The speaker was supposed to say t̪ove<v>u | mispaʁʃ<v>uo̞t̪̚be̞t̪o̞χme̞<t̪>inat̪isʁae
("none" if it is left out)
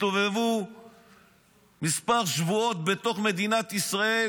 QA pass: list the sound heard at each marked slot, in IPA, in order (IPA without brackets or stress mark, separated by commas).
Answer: v, v, d̪